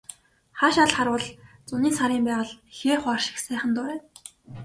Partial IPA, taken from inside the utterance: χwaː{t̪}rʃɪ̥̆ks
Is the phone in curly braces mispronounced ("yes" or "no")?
yes